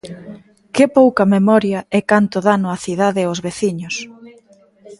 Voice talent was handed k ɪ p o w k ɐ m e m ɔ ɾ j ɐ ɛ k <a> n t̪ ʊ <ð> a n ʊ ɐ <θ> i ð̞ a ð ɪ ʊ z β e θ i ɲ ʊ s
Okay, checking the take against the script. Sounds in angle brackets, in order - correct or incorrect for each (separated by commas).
correct, correct, correct